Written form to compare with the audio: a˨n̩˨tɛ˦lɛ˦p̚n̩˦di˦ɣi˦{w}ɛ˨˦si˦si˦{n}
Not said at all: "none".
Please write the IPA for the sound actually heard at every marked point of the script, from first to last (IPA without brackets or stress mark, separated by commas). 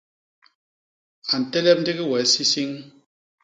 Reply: w, ŋ